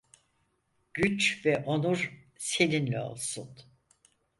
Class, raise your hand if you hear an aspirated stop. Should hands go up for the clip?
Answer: no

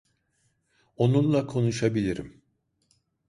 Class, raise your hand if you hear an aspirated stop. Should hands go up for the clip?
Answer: yes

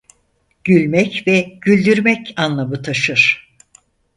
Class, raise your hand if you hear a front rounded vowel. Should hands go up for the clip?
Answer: yes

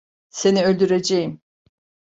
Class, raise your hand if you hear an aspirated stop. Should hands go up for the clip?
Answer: no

